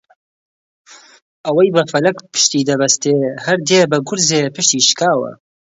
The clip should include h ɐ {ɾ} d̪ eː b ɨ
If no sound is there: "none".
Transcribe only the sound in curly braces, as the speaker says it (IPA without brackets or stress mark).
ɾ